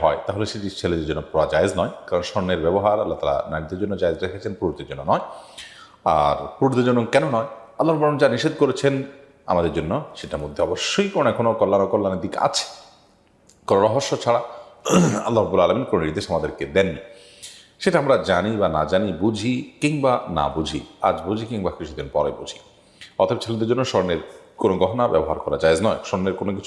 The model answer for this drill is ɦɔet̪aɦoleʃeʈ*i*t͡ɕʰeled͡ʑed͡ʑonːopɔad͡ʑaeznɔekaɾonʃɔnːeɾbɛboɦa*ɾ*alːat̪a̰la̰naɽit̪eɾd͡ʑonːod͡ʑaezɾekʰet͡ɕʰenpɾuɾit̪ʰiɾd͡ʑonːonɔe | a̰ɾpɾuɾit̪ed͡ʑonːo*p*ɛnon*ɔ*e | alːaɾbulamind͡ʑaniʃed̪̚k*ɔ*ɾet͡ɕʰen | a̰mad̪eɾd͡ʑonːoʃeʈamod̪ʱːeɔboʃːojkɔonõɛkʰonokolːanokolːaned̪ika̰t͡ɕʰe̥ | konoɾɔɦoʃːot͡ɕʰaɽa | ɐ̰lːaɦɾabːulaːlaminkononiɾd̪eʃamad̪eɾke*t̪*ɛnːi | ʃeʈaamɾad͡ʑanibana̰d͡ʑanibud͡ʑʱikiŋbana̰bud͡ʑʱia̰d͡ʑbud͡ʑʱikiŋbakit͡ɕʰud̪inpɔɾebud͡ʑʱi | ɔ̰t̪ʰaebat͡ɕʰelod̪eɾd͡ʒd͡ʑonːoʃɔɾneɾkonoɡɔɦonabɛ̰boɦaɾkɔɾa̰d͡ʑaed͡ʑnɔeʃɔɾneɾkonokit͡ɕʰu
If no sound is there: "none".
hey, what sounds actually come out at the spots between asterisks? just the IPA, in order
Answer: i, ɾ, k, ɔ, o, d̪

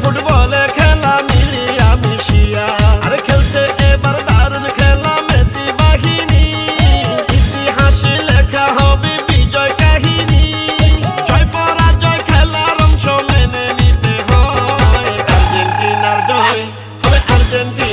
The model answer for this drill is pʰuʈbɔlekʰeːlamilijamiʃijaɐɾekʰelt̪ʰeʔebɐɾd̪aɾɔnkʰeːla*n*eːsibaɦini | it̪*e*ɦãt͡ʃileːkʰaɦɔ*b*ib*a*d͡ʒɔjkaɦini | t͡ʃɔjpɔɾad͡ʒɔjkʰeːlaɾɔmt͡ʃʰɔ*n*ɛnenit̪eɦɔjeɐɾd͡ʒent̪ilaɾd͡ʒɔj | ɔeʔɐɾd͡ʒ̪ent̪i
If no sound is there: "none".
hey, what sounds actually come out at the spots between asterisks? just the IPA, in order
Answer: m, i, b, i, m

